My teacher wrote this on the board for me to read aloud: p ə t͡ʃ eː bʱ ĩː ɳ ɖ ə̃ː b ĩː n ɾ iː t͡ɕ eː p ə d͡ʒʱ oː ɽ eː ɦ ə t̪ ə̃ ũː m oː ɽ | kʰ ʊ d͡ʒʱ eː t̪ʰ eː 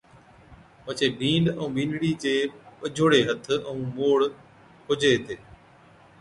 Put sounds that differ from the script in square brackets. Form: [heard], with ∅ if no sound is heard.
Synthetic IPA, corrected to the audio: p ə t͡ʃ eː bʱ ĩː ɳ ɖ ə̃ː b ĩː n [ɽ] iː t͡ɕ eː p ə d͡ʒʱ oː ɽ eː ɦ ə [t̪ʰ] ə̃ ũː m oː ɽ | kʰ ʊ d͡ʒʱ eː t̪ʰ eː